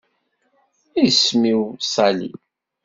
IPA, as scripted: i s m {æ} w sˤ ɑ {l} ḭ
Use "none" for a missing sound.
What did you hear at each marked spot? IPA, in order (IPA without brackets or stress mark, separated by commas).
i, l